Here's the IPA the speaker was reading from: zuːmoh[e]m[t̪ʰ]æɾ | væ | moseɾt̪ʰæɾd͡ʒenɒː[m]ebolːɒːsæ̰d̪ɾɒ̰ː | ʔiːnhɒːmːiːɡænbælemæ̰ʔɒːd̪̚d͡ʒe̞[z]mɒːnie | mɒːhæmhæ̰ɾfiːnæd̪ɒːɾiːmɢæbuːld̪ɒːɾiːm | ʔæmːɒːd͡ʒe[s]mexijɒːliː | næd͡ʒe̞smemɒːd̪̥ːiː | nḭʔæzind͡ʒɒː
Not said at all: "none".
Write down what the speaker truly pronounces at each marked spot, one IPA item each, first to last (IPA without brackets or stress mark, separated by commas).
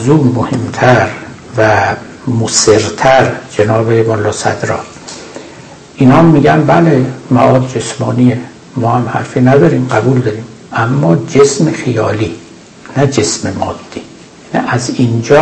e, t̪ʰ, b, s, s